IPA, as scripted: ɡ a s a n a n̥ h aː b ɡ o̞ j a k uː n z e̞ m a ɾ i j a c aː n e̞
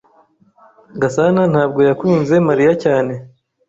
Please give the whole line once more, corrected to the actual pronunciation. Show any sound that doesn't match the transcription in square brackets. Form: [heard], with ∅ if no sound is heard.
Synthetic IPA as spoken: ɡ a s a n a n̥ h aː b ɡ o̞ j a k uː n z e̞ m a ɾ i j a c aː n e̞